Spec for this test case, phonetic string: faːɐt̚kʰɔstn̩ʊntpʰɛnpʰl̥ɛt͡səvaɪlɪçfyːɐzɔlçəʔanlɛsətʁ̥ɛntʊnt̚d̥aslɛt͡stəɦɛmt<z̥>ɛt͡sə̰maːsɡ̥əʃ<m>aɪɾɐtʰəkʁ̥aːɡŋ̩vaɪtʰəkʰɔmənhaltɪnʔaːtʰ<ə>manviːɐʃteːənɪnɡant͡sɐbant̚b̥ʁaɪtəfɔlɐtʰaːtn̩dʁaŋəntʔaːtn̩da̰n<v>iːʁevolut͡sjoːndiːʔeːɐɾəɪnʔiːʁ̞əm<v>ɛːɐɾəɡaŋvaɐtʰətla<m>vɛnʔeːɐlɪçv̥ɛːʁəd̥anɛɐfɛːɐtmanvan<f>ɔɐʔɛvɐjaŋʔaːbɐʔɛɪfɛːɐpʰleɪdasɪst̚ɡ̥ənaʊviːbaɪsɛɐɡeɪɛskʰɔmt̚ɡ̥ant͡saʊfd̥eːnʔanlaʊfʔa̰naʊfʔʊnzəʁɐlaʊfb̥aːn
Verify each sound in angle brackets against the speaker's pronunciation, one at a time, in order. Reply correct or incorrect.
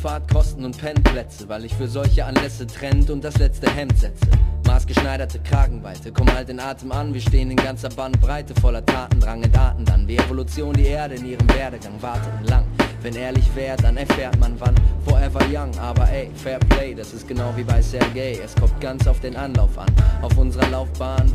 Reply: correct, incorrect, correct, correct, correct, incorrect, correct

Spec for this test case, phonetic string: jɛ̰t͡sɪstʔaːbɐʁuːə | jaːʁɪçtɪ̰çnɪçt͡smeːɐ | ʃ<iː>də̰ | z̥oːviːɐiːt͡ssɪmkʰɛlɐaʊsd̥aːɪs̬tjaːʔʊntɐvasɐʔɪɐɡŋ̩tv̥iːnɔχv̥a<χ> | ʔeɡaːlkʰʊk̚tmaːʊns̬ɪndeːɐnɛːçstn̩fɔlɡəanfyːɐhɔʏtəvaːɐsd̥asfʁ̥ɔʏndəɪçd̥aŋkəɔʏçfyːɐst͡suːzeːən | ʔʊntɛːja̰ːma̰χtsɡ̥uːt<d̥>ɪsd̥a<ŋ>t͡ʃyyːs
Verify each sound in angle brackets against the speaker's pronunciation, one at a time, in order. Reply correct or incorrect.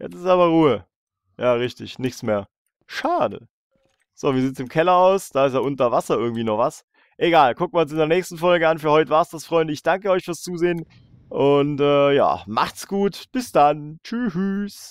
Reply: incorrect, incorrect, incorrect, incorrect

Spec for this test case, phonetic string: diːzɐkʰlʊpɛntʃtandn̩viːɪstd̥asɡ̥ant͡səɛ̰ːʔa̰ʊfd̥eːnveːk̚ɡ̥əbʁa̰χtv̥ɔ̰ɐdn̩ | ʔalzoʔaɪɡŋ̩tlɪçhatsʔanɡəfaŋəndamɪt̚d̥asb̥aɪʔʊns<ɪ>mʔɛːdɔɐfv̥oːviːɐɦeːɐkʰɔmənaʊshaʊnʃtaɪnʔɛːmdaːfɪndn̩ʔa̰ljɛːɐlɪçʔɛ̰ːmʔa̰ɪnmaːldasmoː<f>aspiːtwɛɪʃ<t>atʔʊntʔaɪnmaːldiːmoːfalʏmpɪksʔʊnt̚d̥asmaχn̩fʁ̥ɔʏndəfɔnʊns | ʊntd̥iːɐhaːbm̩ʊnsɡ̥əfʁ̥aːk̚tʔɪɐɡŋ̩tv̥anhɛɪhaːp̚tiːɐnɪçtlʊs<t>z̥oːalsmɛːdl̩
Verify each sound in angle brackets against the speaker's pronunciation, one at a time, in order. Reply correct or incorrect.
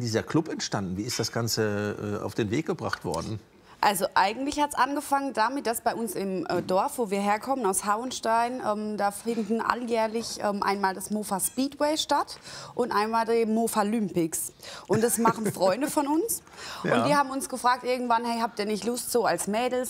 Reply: correct, correct, correct, correct

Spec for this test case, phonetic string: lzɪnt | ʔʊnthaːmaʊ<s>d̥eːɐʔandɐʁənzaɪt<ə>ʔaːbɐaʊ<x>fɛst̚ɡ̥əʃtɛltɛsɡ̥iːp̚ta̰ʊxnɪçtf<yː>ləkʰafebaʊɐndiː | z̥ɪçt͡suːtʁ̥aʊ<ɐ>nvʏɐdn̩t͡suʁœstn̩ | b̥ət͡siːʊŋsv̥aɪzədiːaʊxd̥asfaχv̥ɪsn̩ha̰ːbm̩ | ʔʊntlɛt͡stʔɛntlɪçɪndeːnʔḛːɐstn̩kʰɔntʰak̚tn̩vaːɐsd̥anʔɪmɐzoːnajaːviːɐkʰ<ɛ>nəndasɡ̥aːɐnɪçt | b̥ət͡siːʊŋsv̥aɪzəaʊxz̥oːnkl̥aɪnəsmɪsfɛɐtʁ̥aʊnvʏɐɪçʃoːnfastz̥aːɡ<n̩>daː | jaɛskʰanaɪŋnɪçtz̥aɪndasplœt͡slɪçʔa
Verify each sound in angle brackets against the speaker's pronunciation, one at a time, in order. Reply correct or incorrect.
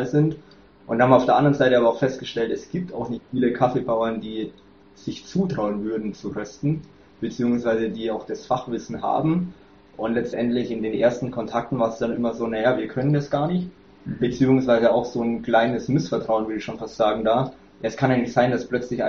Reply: incorrect, correct, correct, incorrect, incorrect, incorrect, incorrect

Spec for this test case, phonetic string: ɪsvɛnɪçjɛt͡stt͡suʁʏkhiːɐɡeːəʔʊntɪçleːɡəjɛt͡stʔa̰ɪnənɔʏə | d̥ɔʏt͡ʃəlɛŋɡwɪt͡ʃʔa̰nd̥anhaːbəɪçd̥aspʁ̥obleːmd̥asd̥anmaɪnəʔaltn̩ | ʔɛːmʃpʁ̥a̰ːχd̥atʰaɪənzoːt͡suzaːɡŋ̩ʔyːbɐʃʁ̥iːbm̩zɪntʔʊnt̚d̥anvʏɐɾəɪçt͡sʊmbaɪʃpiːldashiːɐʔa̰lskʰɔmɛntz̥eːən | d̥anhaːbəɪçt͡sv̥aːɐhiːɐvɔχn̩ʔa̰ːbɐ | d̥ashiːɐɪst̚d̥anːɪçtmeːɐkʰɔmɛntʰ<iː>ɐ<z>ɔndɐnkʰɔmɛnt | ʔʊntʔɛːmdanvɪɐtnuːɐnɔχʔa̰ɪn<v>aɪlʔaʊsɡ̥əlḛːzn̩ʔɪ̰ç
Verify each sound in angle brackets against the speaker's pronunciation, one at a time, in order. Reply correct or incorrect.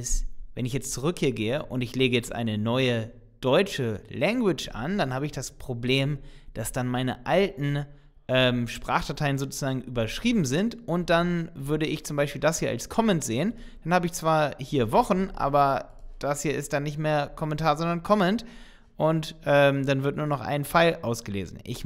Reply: incorrect, correct, incorrect

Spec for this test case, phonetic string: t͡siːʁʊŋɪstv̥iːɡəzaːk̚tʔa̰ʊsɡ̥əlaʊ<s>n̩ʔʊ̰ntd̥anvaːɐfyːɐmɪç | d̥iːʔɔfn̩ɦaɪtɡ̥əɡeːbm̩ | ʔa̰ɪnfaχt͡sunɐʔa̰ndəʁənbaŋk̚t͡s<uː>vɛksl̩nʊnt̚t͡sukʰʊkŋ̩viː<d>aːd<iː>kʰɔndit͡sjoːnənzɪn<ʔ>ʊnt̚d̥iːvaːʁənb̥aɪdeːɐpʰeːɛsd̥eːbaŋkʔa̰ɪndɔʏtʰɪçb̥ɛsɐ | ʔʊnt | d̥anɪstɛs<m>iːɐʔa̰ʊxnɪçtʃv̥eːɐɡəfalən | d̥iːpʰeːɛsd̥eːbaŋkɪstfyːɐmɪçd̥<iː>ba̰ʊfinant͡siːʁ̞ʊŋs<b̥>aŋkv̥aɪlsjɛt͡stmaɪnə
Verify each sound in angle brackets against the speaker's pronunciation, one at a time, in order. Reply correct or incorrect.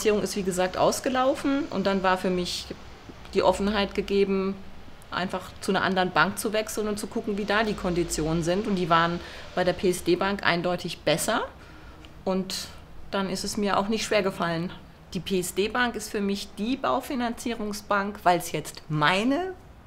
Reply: incorrect, incorrect, correct, correct, incorrect, correct, correct, correct

